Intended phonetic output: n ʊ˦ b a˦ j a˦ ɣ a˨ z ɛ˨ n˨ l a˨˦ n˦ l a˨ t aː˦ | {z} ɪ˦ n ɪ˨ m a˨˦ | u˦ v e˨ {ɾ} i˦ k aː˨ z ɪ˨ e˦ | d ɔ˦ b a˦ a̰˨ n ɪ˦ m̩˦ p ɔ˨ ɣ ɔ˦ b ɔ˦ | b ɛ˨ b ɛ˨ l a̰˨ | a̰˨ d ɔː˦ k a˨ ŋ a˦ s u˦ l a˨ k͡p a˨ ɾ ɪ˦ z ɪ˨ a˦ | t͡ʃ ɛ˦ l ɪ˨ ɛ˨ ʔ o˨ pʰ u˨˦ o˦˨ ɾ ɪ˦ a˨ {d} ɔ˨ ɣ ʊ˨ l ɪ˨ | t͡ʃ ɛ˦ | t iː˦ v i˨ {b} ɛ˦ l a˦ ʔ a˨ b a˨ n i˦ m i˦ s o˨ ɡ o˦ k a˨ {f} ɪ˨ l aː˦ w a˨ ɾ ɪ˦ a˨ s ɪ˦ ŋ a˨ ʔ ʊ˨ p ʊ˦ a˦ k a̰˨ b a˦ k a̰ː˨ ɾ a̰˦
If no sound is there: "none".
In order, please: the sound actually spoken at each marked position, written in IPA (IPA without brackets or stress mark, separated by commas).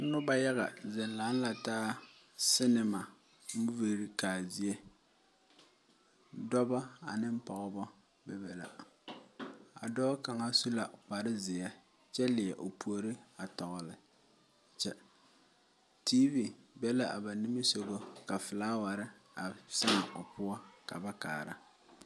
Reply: s, ɾ, t, b, f